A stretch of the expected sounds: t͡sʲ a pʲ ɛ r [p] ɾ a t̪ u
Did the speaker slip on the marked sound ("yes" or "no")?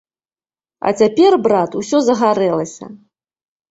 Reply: yes